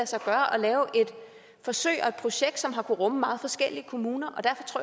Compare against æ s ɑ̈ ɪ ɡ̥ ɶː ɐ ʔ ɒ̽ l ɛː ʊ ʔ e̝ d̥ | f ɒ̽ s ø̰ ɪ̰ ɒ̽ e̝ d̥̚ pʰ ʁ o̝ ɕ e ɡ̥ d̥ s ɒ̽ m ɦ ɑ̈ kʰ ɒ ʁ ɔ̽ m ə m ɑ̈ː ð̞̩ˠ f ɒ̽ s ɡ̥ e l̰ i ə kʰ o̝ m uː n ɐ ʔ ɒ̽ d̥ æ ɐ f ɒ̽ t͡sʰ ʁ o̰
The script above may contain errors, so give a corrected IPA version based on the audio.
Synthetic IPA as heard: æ s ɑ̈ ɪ ɡ̥ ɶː ɐ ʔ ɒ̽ l ɛː ʊ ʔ e̝ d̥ | f ɒ̽ s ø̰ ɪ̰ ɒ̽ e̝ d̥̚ pʰ ʁ o̝ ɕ e ɡ̥ d̥ s ɒ̽ m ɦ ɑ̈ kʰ u ʁ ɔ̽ m ə m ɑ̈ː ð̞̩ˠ f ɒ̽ s ɡ̥ e l̰ i ə kʰ o̝ m uː n ɐ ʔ ɒ̽ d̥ æ ɐ f ɒ̽ t͡sʰ ʁ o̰